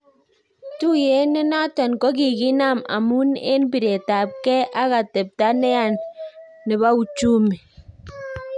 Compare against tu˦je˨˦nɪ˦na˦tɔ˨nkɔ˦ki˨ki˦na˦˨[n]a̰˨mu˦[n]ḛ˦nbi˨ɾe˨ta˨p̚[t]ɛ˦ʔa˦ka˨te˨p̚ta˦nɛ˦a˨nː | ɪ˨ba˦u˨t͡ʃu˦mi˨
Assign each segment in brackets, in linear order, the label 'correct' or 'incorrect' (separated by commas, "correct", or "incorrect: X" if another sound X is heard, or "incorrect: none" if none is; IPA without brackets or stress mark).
incorrect: m, correct, incorrect: k